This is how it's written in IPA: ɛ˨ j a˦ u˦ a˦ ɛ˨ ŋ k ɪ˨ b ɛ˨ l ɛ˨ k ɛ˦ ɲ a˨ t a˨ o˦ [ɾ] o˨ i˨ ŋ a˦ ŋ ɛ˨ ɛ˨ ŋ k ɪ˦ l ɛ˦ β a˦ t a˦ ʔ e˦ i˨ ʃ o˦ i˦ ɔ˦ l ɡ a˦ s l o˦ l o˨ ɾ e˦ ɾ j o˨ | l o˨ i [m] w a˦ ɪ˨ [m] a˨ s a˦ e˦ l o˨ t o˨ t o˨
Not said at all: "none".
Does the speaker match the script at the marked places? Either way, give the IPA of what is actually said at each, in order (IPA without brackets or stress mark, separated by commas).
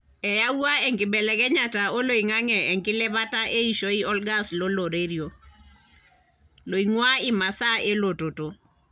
l, ŋ, m